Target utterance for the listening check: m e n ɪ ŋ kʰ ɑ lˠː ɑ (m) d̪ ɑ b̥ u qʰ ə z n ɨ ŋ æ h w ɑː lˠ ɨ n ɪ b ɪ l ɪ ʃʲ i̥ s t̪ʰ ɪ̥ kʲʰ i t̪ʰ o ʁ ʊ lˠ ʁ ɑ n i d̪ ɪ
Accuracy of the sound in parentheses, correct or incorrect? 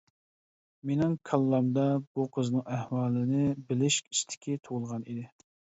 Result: correct